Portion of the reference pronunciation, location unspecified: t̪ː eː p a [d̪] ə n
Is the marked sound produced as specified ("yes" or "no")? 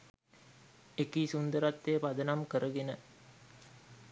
yes